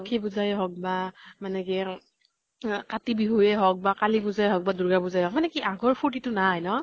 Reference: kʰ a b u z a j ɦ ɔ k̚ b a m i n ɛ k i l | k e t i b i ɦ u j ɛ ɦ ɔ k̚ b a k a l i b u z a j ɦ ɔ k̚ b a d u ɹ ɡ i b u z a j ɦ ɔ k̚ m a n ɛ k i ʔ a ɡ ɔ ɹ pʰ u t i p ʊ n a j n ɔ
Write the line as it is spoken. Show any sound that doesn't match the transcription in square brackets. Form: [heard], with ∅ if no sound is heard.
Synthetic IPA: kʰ [i] b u z a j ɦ ɔ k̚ b a m [a] n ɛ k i [∅] | k [a] t i b i ɦ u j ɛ ɦ ɔ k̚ b a k a l i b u z a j ɦ ɔ k̚ b a d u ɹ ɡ [a] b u z a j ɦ ɔ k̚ m a n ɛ k i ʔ a ɡ ɔ ɹ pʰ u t i [t] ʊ n a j n ɔ